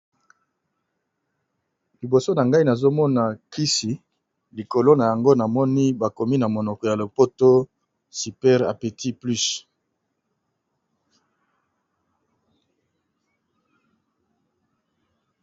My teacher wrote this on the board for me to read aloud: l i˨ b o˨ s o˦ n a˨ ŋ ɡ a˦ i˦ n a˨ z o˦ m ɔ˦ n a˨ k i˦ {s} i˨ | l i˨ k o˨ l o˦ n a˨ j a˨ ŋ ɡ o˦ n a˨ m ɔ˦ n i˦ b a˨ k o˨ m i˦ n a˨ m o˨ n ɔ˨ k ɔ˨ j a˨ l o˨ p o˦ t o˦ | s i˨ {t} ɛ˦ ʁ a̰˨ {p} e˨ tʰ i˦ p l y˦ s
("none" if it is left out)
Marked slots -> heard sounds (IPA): s, p, p

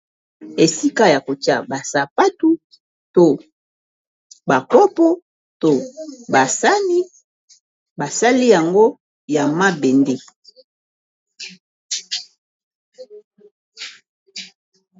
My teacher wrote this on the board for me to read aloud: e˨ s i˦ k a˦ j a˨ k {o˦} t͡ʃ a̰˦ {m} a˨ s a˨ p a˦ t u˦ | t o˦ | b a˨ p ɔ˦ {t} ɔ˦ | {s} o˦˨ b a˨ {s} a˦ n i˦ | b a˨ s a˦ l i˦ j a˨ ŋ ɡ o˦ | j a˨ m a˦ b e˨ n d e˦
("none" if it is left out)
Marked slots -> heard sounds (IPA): o˨, b, p, t, s

